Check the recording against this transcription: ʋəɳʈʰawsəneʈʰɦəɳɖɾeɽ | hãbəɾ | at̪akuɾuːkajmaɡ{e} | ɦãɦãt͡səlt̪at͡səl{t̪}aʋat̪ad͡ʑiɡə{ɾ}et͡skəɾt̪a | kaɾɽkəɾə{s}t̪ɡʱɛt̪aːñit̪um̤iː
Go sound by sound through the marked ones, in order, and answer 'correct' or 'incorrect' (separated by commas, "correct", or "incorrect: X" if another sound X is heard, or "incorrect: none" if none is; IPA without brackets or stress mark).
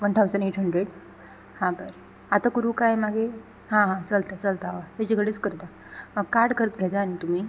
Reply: correct, correct, incorrect: ɽ, incorrect: none